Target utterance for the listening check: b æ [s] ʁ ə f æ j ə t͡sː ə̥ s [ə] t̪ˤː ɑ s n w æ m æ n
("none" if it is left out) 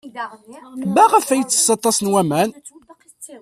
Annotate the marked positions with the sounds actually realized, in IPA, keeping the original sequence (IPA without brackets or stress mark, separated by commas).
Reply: none, ɑ